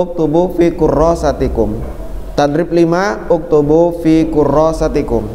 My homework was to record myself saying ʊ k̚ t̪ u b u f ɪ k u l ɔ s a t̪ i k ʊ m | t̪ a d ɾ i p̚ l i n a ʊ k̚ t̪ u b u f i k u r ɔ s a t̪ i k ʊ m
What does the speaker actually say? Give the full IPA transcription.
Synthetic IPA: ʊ k̚ t̪ u b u f i k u r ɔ s a t̪ i k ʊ m | t̪ a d ɾ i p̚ l i m a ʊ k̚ t̪ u b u f i k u r ɔ s a t̪ i k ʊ m